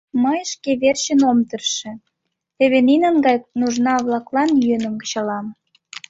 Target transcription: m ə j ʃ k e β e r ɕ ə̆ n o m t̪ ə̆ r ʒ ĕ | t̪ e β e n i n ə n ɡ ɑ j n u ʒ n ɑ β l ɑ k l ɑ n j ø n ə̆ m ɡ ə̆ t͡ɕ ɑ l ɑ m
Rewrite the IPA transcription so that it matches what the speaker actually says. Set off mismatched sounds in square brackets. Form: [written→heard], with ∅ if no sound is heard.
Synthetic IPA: m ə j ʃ k e β e r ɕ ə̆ n o m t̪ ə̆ r [ʒ→ʃ] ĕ | t̪ e β e n i n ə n ɡ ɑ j n u ʒ n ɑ β l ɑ k l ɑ n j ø n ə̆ m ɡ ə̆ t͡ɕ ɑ l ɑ m